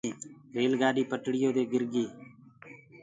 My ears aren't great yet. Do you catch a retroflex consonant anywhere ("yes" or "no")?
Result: yes